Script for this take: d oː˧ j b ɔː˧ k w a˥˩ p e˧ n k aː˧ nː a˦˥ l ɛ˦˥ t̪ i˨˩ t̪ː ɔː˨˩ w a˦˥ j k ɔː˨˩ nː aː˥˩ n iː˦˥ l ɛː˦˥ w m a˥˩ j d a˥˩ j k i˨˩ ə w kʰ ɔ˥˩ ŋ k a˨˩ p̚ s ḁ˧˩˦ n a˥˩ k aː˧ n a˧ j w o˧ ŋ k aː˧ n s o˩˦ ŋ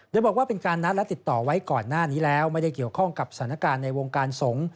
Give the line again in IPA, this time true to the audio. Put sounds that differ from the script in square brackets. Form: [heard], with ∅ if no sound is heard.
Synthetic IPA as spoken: d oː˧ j b [ɔː˨˩] k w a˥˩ p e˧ n k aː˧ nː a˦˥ l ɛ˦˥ t̪ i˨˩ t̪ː ɔː˨˩ w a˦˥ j k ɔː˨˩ nː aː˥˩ n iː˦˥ l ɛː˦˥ w m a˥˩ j d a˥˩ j k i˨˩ ə w kʰ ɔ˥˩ ŋ k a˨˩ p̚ s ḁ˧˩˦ n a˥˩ k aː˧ [nː] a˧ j w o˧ ŋ k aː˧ n s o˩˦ ŋ